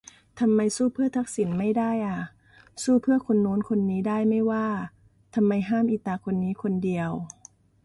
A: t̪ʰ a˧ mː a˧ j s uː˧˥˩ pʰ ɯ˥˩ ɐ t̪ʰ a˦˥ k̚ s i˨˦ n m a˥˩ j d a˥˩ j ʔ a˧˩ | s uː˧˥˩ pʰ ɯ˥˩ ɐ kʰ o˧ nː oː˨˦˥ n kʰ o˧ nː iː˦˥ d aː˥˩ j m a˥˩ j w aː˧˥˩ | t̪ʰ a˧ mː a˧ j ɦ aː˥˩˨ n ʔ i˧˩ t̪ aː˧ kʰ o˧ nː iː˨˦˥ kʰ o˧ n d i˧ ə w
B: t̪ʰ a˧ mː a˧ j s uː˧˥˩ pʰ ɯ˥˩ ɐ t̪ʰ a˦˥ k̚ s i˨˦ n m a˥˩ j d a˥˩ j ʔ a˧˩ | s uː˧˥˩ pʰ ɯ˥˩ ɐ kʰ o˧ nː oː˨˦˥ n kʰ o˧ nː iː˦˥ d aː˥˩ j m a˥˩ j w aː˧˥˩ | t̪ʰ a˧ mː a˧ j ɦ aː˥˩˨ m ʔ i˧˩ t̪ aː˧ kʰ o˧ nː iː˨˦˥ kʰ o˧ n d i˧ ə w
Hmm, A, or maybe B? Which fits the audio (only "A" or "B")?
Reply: B